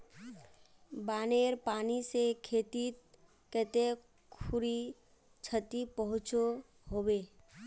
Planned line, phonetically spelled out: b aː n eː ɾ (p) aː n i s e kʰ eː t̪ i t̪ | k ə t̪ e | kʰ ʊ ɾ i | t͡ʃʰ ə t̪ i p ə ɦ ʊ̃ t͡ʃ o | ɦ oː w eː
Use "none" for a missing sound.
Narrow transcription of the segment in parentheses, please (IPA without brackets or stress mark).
p